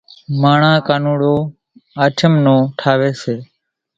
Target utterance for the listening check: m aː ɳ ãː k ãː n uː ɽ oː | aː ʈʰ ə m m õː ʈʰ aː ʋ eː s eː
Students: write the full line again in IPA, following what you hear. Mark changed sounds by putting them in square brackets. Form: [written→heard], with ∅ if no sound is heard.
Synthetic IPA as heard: m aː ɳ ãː k [ãː→aː] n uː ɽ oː | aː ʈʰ ə m [m→n] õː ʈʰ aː ʋ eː s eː

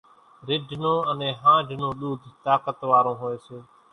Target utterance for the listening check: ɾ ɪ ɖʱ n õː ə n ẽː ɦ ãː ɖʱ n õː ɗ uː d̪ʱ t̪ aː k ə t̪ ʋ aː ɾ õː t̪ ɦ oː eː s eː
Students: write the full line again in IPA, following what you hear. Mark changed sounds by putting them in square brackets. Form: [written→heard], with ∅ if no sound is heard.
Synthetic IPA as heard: ɾ ɪ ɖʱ n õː ə n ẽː ɦ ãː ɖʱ n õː ɗ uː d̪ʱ t̪ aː k ə t̪ ʋ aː ɾ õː [t̪→∅] ɦ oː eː s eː

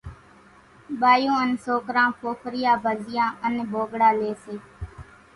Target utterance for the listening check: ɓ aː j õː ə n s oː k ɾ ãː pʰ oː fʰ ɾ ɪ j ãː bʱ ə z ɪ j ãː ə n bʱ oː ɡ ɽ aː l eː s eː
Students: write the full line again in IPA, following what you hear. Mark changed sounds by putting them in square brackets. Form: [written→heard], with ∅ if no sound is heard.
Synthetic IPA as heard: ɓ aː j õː ə n s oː k ɾ ãː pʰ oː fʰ ɾ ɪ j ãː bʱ ə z ɪ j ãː ə n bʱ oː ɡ ɽ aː l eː s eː

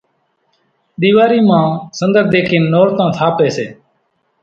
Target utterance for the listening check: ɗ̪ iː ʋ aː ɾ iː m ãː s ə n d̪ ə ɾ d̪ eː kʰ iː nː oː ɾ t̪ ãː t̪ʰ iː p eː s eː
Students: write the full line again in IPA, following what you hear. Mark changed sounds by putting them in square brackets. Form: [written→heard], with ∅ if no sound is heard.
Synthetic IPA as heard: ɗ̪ iː ʋ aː ɾ iː m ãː s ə n d̪ ə ɾ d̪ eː kʰ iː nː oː ɾ t̪ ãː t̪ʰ [iː→aː] p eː s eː

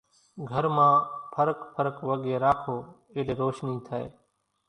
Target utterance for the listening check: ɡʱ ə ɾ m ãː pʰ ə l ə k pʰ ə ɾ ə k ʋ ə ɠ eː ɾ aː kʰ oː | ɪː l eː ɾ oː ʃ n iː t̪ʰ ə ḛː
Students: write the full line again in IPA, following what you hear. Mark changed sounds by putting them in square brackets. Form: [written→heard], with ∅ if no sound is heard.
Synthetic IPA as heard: ɡʱ ə ɾ m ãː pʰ ə [l→ɾ] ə k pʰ ə ɾ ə k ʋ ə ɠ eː ɾ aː kʰ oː | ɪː l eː ɾ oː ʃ n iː t̪ʰ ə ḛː

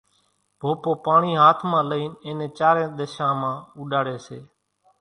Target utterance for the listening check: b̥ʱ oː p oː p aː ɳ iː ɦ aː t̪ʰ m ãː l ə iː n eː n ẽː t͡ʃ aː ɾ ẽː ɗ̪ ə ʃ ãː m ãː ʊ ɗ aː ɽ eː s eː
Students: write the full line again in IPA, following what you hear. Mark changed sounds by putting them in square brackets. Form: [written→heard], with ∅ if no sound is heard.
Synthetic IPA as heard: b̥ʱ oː p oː p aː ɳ iː ɦ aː t̪ʰ m ãː l ə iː n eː n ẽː t͡ʃ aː ɾ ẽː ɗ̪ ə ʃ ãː m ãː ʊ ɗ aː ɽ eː s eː

